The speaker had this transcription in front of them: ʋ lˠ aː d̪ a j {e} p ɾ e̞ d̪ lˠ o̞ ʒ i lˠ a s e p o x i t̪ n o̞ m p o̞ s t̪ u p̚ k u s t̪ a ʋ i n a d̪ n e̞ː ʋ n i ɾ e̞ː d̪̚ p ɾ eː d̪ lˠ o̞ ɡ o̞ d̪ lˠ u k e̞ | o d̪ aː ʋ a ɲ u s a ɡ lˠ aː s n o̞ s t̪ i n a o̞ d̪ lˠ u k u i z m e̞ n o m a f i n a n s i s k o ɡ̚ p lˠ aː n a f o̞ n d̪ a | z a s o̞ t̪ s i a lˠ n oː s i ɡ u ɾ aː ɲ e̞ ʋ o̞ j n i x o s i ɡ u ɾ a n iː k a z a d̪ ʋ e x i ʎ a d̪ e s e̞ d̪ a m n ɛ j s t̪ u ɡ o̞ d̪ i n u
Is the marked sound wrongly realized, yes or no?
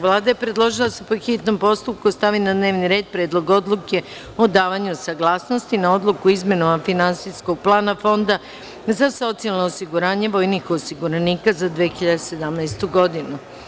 no